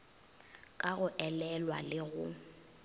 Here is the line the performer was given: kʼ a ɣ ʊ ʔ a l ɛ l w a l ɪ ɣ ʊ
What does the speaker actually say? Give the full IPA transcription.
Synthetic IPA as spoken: kʼ a ɣ ʊ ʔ ɛ l ɛ l w a l ɪ ɣ ʊ